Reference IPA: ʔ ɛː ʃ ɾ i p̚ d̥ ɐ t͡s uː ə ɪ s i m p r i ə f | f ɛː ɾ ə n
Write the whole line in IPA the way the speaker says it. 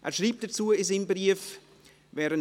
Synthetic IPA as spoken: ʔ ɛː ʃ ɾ iː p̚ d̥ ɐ t͡s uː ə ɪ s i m b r i ə f | v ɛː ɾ ə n